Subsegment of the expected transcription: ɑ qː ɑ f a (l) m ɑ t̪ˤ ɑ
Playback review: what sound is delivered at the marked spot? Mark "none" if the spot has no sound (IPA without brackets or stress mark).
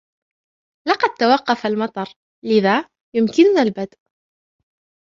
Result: l